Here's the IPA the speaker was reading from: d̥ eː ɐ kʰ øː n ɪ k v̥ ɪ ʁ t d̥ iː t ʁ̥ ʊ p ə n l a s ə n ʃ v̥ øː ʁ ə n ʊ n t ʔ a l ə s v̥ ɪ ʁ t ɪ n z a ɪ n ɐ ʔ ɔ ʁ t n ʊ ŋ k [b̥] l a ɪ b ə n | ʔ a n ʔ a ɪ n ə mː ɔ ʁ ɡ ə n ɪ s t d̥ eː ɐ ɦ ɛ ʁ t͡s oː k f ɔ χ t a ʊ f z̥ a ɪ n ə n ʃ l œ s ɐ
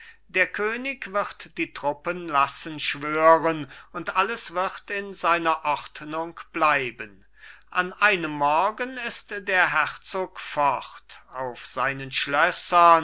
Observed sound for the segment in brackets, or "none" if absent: b̥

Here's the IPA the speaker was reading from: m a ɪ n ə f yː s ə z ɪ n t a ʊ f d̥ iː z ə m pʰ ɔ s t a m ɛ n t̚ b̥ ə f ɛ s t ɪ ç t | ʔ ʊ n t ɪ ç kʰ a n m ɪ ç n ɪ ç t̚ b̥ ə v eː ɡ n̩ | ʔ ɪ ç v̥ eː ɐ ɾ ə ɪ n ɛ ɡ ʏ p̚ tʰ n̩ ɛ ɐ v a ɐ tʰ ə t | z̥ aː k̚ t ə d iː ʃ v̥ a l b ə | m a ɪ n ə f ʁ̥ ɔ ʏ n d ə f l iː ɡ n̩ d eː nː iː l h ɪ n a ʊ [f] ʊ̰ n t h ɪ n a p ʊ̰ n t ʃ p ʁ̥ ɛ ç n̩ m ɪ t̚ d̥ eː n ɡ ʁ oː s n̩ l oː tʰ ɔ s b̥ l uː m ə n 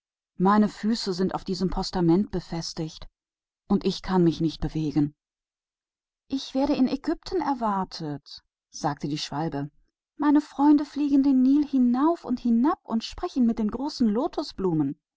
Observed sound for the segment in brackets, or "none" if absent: f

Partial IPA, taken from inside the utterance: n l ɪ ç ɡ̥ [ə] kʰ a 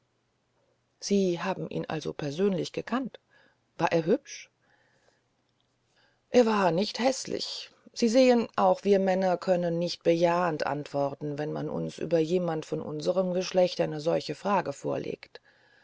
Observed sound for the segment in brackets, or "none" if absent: ə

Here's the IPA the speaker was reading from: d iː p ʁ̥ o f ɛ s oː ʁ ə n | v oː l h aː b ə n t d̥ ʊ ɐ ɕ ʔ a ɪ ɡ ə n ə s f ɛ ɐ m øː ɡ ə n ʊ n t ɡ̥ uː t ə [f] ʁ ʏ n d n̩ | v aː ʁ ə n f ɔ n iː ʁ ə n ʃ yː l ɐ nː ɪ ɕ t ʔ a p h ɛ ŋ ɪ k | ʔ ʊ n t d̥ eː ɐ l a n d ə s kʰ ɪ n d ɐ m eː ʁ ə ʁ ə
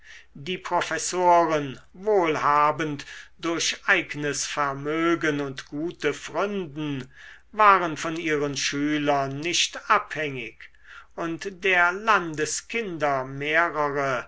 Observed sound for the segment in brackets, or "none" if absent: f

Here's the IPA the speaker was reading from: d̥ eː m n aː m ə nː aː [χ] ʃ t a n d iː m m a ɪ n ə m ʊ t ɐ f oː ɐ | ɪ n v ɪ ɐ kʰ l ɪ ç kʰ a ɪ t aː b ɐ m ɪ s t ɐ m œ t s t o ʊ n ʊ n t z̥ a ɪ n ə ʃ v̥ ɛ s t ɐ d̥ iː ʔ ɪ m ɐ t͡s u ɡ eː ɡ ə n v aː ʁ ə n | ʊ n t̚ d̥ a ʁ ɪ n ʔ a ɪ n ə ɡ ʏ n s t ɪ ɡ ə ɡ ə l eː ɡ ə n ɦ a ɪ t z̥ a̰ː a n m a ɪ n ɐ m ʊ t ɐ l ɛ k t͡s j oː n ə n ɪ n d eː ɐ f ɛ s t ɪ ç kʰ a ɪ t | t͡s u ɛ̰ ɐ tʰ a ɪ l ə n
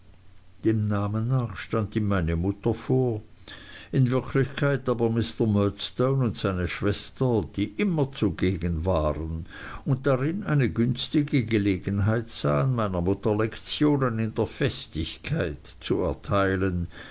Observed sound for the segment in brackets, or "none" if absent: χ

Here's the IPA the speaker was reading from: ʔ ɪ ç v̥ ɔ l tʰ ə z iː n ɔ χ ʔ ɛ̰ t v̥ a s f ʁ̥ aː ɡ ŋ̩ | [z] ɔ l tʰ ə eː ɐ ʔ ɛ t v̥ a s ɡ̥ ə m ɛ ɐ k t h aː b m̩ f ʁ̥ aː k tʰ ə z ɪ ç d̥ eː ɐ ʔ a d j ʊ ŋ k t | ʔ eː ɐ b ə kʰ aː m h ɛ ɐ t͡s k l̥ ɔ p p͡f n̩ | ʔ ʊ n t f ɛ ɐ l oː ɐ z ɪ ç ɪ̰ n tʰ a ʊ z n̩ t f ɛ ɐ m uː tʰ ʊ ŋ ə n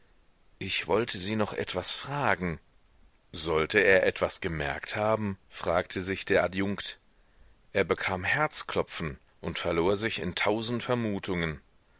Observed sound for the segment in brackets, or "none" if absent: z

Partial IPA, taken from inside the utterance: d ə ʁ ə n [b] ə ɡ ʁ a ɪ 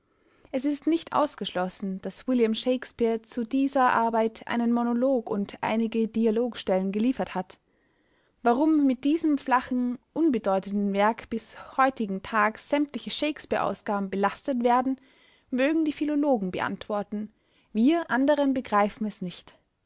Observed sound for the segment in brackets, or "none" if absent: b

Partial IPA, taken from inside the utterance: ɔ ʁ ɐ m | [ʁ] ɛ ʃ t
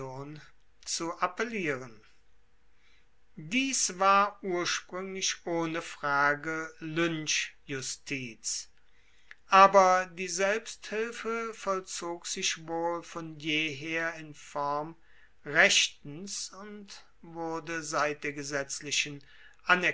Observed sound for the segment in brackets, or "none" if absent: ʁ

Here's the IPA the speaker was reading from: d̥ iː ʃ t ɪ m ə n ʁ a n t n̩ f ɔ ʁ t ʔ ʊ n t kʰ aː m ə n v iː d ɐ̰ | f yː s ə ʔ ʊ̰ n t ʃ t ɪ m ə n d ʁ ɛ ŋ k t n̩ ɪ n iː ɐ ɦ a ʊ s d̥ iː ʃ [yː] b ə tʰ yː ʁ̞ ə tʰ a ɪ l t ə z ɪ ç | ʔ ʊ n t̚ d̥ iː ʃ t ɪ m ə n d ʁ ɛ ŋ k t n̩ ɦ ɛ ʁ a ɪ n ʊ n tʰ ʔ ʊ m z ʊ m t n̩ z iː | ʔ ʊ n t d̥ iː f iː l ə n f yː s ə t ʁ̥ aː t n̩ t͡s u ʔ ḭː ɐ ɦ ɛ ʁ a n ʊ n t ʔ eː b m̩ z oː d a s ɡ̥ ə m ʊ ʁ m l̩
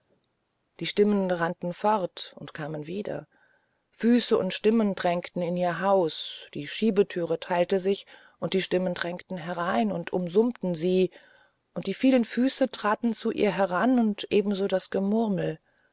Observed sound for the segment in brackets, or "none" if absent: iː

